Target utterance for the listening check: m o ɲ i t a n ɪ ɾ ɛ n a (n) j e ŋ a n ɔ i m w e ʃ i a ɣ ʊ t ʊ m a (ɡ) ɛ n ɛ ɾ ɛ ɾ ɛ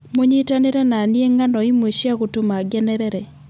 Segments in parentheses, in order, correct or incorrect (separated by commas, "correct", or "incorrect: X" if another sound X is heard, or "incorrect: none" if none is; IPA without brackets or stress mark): correct, correct